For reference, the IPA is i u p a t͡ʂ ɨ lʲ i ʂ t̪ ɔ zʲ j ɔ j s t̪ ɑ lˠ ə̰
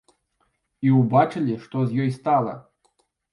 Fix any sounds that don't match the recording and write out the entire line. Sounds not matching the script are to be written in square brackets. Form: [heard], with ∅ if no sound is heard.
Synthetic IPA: i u [b] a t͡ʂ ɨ lʲ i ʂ t̪ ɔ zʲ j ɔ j s t̪ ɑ lˠ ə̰